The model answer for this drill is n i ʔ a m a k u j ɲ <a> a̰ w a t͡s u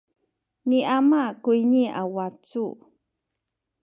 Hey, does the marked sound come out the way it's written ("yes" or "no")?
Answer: no